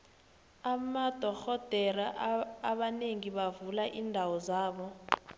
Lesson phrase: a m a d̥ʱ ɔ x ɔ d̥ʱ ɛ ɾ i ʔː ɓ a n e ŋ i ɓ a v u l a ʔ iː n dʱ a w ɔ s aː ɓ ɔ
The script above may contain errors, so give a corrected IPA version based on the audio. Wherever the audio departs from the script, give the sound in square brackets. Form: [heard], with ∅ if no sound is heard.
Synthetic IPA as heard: a m a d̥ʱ ɔ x ɔ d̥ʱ ɛ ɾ [a] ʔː ɓ a n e ŋ i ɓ a v u l a ʔ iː n dʱ a w ɔ [z] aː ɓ ɔ